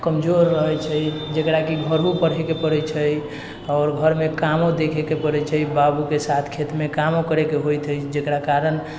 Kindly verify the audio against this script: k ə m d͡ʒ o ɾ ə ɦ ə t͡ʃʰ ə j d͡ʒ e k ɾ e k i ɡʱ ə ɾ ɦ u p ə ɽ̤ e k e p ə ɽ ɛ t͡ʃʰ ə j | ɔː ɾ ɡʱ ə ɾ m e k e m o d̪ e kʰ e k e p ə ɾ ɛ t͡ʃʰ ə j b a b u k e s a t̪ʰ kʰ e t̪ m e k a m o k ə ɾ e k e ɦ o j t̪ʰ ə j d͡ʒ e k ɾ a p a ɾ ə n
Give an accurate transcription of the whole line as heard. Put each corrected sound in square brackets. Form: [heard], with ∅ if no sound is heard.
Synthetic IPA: k ə m d͡ʒ o [ɾː] ə ɦ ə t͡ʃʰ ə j d͡ʒ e k ɾ [a] k i ɡʱ ə ɾ ɦ u p ə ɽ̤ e k e p ə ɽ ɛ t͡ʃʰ ə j | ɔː ɾ ɡʱ ə ɾ m e k [a] m o d̪ e kʰ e k e p ə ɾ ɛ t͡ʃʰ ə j b a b u k e s a t̪ʰ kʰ e t̪ m e k a m o k ə ɾ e k e ɦ o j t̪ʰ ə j d͡ʒ e k ɾ a [k] a ɾ ə n